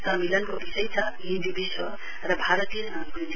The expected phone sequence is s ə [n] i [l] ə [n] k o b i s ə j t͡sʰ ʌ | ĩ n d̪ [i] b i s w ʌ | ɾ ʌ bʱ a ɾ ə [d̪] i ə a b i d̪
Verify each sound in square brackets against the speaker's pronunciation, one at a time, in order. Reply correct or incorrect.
incorrect, correct, correct, correct, incorrect

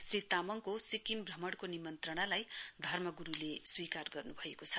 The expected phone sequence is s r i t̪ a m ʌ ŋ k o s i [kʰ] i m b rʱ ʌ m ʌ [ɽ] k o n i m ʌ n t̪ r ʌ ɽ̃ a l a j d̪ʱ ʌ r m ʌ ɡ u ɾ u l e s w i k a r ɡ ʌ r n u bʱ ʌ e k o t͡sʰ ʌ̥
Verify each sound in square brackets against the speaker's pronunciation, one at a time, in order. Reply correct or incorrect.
incorrect, correct

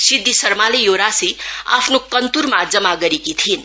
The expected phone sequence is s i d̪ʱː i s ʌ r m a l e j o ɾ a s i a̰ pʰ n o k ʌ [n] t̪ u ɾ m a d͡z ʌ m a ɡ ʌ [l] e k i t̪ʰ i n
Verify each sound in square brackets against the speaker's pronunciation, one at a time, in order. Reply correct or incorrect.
correct, incorrect

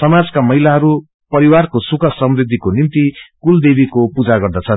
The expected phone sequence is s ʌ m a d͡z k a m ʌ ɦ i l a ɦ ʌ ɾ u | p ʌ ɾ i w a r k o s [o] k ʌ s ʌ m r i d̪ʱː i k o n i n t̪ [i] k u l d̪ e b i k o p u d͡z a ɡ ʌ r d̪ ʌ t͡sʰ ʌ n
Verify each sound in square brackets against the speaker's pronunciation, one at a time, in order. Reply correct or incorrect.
incorrect, correct

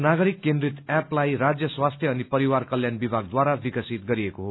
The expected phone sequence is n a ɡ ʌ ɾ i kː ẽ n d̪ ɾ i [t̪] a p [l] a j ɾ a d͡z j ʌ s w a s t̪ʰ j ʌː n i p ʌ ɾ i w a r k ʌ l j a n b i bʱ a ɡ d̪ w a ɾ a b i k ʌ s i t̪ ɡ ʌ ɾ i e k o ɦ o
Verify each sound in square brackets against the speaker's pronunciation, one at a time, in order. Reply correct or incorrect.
correct, correct

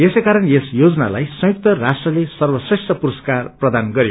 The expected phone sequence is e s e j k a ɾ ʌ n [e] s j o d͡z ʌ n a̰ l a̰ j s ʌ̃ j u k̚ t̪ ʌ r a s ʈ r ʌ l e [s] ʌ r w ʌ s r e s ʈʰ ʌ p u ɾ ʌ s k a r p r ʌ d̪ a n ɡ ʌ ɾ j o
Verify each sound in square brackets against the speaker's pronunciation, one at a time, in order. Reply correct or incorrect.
correct, correct

